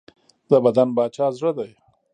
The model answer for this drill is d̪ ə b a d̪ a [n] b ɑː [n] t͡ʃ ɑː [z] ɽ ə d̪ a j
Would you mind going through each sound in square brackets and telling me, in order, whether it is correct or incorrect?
correct, incorrect, correct

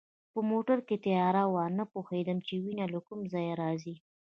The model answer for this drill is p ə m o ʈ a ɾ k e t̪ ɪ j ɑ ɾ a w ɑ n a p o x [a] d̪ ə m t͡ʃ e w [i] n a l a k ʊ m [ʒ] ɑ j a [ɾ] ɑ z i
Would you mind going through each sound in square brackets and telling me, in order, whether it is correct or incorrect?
incorrect, correct, incorrect, correct

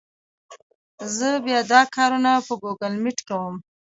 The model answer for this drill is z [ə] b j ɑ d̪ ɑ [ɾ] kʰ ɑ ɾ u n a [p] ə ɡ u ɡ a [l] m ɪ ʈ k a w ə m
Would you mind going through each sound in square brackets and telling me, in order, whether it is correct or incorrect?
correct, incorrect, correct, correct

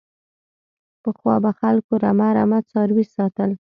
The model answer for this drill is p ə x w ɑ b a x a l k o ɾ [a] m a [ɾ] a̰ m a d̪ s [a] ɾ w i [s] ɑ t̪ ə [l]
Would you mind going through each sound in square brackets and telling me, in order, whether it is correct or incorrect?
correct, correct, incorrect, correct, correct

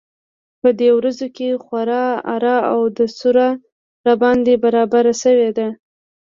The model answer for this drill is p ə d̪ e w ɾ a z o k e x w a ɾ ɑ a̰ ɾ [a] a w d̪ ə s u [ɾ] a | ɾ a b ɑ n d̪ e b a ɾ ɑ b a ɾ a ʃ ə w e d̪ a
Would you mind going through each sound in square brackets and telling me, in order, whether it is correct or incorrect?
incorrect, correct

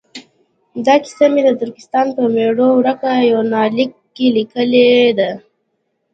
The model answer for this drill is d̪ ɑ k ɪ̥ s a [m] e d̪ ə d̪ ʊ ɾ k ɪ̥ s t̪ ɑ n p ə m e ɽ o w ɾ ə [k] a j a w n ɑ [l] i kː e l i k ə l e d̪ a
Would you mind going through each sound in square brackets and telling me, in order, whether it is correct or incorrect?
correct, correct, correct

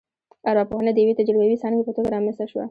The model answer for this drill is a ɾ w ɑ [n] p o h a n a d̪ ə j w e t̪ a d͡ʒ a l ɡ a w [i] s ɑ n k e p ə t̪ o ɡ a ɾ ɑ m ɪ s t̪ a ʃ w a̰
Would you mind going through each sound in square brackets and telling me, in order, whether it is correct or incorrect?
incorrect, correct

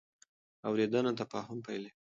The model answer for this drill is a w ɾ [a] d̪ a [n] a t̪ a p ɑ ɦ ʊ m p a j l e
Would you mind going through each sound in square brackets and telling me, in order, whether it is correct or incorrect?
incorrect, correct

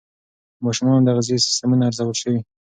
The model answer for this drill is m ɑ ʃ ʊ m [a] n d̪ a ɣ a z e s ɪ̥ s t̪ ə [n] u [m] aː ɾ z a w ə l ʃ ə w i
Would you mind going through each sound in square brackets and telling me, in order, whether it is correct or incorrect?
incorrect, incorrect, incorrect

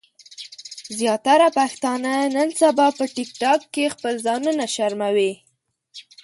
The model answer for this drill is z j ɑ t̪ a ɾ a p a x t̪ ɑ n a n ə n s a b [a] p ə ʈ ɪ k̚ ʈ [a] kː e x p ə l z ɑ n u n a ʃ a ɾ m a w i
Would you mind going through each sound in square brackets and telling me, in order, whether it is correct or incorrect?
incorrect, incorrect

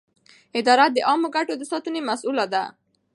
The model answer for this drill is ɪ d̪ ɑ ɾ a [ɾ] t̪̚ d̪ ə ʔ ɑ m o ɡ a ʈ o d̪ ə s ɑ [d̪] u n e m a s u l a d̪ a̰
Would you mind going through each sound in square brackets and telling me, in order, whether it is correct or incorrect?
incorrect, incorrect

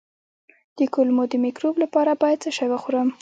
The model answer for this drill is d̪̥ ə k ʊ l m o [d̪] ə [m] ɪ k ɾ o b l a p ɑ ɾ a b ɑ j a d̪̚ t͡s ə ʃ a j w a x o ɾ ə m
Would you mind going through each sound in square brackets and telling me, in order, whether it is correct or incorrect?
correct, correct

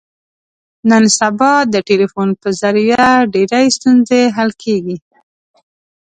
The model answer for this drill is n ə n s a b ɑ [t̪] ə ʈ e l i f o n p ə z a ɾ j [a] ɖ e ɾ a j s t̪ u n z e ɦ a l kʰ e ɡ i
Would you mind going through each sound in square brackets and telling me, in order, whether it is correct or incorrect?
incorrect, correct

